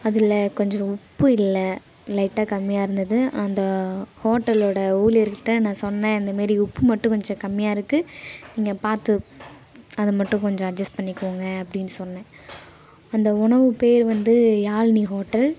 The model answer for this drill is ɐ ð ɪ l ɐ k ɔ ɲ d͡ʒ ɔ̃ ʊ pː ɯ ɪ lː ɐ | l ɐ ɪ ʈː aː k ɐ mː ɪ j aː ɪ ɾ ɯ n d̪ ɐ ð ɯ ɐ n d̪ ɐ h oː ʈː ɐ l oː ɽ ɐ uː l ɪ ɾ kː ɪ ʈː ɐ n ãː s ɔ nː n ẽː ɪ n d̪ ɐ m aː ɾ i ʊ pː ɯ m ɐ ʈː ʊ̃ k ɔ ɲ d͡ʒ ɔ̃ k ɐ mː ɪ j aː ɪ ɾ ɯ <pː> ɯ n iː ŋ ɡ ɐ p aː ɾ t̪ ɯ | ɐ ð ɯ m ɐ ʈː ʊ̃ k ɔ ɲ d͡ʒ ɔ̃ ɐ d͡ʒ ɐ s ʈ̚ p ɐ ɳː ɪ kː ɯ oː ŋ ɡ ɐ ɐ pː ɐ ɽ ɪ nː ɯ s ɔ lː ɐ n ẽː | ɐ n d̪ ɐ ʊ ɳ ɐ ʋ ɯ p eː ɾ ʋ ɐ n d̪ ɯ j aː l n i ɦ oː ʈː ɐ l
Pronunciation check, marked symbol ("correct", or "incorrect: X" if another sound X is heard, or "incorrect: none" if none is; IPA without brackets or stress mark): incorrect: kː